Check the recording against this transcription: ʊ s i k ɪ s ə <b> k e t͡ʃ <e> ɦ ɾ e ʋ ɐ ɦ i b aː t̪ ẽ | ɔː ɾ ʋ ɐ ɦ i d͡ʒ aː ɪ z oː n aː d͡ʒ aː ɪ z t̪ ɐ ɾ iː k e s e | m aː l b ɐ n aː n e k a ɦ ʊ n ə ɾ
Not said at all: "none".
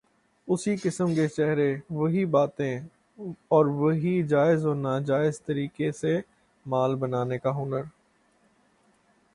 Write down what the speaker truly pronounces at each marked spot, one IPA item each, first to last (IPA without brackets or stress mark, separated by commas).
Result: m, ɛ